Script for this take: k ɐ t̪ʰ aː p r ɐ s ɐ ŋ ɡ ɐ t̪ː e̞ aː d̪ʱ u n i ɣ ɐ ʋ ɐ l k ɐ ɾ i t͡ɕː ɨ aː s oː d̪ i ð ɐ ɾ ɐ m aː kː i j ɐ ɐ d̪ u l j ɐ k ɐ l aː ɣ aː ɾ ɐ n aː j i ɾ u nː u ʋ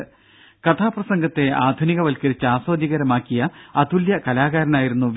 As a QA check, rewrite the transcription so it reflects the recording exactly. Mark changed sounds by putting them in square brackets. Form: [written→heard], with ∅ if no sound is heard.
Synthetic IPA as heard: k ɐ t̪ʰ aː p r ɐ s ɐ ŋ ɡ ɐ t̪ː e̞ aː d̪ʱ u n i ɣ ɐ ʋ ɐ l k ɐ ɾ i t͡ɕː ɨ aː s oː d̪ i [ð→ɣ] ɐ ɾ ɐ m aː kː i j ɐ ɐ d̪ u l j ɐ k ɐ l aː ɣ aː ɾ ɐ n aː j i ɾ u nː u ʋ